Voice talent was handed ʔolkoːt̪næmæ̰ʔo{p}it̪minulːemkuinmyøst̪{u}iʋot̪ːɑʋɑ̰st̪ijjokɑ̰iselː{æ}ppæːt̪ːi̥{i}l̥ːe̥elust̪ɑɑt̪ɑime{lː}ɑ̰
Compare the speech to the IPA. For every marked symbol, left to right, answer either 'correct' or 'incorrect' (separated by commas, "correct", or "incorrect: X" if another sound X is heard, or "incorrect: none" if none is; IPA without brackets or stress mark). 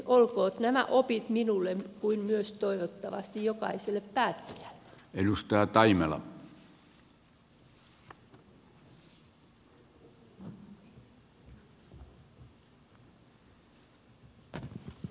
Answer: correct, incorrect: o, incorrect: e, incorrect: æ, incorrect: l